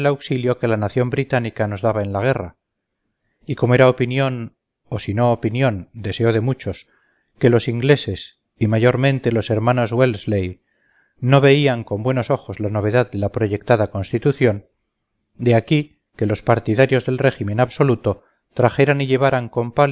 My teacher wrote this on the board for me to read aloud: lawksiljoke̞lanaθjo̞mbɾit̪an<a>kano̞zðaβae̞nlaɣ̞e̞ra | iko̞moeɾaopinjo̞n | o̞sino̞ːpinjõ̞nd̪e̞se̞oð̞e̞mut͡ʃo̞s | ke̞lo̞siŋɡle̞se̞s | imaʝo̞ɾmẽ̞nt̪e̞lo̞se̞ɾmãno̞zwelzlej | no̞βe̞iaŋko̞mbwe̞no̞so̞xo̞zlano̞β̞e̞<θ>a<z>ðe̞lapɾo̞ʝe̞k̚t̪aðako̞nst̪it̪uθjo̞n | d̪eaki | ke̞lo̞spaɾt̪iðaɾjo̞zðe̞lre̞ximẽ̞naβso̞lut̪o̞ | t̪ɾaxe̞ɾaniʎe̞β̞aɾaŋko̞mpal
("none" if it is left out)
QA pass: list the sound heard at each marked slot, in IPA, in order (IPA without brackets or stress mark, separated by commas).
i, ð, ð